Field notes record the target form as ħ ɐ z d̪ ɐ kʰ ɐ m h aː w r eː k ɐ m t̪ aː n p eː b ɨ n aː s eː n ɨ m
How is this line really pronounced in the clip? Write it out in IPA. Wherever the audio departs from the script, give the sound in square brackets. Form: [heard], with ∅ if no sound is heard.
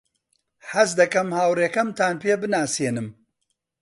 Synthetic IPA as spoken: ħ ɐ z d̪ ɐ [k] ɐ m h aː w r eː k ɐ m t̪ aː n p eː b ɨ n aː s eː n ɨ m